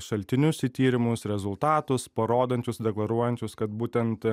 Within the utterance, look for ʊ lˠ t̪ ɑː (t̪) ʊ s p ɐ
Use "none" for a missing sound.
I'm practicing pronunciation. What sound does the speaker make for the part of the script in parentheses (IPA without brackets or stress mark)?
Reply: t̪